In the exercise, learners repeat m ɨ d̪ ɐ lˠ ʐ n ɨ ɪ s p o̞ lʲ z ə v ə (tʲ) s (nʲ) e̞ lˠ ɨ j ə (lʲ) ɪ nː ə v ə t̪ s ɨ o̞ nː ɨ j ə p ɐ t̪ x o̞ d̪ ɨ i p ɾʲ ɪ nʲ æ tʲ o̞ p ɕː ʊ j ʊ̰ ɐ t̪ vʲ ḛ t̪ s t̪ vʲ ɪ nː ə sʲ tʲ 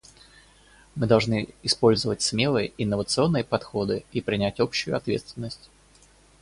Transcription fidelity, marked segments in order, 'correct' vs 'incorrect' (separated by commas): correct, incorrect, incorrect